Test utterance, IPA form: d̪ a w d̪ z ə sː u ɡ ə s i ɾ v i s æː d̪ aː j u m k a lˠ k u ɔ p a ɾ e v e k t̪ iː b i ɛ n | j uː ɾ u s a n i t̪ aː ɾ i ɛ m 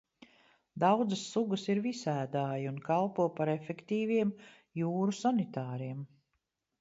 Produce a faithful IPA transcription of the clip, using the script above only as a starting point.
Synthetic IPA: d̪ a w d̪ z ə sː u ɡ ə s i ɾ v i s æː d̪ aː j u n k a lˠ p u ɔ p a ɾ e f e k t̪ iː v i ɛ m | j uː ɾ u s a n i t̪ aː ɾ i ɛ m